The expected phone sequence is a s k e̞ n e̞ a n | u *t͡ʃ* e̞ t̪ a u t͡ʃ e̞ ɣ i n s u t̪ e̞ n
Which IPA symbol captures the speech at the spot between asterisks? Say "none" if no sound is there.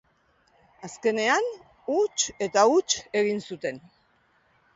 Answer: t͡ʃ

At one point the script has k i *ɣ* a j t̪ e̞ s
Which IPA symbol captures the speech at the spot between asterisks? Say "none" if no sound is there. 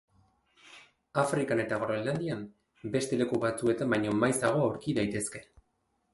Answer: ð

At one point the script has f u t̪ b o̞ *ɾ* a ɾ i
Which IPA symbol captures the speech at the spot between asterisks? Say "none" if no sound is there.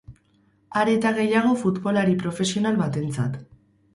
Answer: l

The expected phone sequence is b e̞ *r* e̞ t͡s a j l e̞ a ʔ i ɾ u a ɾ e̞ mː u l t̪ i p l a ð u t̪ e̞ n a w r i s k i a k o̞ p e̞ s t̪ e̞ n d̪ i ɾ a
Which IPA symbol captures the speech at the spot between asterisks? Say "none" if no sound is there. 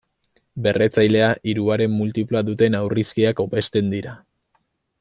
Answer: r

